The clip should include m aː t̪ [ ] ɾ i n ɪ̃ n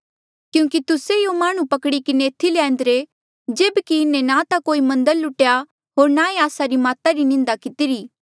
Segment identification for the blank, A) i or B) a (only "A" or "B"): B